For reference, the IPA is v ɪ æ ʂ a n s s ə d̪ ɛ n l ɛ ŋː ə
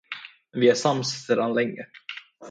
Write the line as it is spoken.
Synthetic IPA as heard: v ɪ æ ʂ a m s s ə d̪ a n l ɛ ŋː ə